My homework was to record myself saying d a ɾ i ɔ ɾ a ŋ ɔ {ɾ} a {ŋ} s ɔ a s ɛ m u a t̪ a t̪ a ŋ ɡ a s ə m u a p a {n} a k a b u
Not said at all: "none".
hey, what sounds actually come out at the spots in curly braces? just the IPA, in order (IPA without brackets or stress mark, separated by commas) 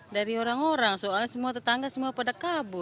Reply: ɾ, ŋ, d